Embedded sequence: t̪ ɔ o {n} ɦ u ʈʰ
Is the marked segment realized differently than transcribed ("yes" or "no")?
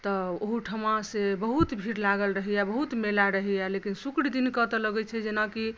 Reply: yes